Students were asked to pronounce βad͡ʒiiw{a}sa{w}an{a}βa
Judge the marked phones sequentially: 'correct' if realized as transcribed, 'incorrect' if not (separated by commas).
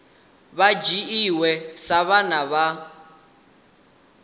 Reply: incorrect, incorrect, correct